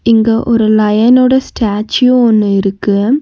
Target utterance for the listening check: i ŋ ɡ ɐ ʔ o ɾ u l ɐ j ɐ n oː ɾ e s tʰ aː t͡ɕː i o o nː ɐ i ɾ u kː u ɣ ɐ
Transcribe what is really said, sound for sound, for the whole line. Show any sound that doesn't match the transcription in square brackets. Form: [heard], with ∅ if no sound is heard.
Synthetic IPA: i ŋ ɡ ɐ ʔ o ɾ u l ɐ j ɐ n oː [ɽ] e s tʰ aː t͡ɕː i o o nː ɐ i ɾ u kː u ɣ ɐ